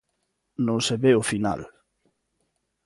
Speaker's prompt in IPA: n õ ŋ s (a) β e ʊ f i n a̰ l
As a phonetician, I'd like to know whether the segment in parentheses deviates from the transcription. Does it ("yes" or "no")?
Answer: yes